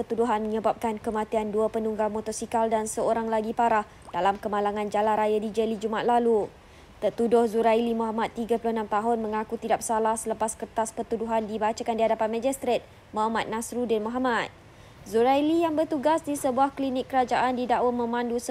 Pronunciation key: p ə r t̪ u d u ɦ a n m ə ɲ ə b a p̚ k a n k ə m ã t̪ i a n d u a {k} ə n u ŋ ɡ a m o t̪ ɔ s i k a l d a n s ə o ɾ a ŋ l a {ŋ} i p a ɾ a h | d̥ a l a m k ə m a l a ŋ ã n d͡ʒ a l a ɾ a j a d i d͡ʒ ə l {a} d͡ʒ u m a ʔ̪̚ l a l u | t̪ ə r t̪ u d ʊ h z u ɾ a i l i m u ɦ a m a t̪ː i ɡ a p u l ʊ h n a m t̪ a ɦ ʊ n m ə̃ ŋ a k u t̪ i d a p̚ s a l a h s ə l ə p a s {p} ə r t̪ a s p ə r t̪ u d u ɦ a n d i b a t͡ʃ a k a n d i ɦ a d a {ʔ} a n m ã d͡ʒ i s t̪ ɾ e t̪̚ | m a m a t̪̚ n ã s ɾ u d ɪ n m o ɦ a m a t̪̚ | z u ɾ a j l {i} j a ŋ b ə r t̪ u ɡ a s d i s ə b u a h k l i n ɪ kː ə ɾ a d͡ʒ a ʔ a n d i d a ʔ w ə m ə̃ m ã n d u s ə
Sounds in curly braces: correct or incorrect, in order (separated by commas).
incorrect, incorrect, incorrect, incorrect, incorrect, correct